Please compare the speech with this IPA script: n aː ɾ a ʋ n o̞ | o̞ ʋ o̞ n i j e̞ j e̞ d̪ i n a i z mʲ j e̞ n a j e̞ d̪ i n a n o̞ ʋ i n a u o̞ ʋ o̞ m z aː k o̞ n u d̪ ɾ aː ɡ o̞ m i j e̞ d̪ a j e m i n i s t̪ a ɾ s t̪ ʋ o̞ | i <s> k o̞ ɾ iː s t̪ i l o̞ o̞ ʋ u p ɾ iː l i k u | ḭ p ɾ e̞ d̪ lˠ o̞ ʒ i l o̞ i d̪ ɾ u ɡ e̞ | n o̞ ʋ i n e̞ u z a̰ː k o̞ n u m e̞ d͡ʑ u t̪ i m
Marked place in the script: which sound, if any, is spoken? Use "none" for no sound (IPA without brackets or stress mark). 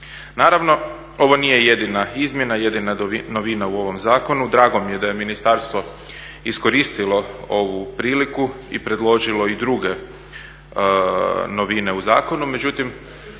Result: s